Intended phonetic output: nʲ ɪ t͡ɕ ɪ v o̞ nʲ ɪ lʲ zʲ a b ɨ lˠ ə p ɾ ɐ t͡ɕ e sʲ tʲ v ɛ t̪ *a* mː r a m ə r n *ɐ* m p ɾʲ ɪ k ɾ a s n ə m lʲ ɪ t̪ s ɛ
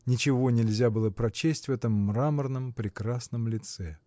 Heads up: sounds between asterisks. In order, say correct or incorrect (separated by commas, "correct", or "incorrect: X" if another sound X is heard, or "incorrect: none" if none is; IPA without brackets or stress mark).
incorrect: ə, incorrect: ə